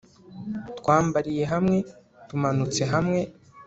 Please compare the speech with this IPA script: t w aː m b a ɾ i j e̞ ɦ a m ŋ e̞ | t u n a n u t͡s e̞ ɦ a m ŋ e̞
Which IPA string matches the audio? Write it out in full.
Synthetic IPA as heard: t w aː m b a ɾ i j e̞ ɦ a m ŋ e̞ | t u m a n u t͡s e̞ ɦ a m ŋ e̞